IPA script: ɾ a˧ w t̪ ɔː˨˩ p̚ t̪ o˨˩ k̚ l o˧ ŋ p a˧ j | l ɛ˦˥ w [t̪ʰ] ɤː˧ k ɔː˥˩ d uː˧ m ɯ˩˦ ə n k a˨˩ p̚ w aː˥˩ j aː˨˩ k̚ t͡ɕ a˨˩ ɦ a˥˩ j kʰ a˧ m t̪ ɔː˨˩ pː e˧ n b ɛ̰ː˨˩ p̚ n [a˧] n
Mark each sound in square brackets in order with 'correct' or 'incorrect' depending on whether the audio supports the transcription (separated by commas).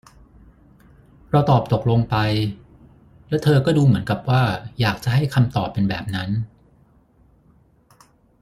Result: correct, incorrect